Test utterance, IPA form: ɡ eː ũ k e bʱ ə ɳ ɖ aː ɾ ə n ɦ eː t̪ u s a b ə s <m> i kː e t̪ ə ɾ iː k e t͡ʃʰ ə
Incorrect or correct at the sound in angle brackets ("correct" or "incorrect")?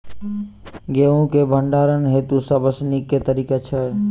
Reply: incorrect